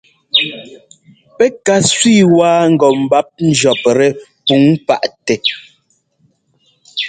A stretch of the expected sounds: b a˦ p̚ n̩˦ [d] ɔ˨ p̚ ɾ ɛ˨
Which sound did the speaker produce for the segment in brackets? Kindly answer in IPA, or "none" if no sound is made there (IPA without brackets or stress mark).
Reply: d͡ʒ